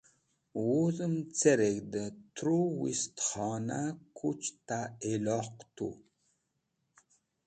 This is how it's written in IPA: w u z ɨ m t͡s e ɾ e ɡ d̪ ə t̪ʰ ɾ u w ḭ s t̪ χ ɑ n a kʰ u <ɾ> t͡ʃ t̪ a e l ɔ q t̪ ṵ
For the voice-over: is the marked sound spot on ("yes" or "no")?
no